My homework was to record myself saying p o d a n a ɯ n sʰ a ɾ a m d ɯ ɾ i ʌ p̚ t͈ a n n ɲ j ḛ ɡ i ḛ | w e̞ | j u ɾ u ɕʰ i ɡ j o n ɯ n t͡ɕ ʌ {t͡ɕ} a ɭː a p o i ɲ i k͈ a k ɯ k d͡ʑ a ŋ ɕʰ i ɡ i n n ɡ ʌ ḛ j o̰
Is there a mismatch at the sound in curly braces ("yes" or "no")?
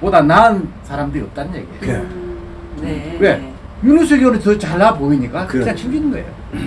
no